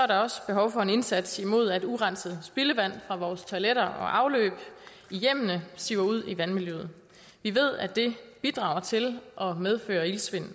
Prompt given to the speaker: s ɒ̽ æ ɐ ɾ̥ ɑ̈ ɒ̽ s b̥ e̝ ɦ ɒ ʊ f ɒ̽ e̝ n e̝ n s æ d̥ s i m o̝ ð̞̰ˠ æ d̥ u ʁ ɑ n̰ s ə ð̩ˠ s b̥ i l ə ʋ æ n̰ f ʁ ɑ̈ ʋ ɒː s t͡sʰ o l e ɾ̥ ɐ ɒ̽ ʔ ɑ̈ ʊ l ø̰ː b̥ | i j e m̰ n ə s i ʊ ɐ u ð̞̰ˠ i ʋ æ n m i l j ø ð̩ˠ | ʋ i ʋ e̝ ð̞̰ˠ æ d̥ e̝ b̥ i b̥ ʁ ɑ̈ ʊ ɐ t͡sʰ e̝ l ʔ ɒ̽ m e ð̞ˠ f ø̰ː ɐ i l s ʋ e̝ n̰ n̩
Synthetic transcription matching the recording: s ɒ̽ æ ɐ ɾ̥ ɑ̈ ɒ̽ s b̥ e̝ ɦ ɒ ʊ f ɒ̽ e̝ n e̝ n s æ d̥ s i m o̝ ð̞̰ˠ æ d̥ u ʁ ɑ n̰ s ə ð̩ˠ s b̥ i l ə ʋ æ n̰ f ʁ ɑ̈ ʋ ɒː s t͡sʰ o l e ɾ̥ ɐ ɒ̽ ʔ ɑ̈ ʊ l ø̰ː b̥ | i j e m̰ n ə s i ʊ ɐ u ð̞̰ˠ i ʋ æ n m i l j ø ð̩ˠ | ʋ i ʋ e̝ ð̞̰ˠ æ d̥ e̝ b̥ i d̥ ʁ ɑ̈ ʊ ɐ t͡sʰ e̝ l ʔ ɒ̽ m e ð̞ˠ f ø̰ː ɐ i l s ʋ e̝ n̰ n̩